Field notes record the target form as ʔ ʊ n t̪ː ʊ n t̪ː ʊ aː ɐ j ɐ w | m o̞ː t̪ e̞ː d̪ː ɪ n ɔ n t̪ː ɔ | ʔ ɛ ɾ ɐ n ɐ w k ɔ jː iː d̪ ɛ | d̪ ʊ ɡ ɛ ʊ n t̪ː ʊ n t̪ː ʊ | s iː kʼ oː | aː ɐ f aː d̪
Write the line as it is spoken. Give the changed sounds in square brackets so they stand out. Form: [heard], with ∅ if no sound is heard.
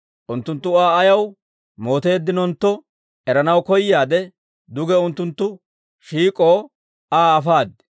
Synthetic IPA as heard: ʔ ʊ n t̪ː ʊ n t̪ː ʊ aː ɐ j ɐ w | m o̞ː t̪ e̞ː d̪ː ɪ n ɔ n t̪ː ɔ | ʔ ɛ ɾ ɐ n ɐ w k ɔ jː [aː] d̪ ɛ | d̪ ʊ ɡ ɛ ʊ n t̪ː ʊ n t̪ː ʊ | [ʃ] iː kʼ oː | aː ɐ f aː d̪